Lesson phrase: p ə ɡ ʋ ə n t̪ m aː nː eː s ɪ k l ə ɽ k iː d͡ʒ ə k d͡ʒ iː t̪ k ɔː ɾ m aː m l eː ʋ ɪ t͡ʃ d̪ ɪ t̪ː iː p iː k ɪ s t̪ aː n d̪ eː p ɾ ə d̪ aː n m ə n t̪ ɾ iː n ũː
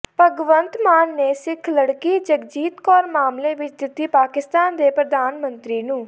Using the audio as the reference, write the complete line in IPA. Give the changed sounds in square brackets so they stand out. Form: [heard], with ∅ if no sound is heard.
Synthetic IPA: p ə ɡ ʋ ə n t̪ m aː nː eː s ɪ [kʰ] l ə ɽ k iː d͡ʒ ə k d͡ʒ iː t̪ k ɔː ɾ m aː m l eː ʋ ɪ t͡ʃ d̪ ɪ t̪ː iː p [aː] k ɪ s t̪ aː n d̪ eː p ɾ ə d̪ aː n m ə n t̪ ɾ iː n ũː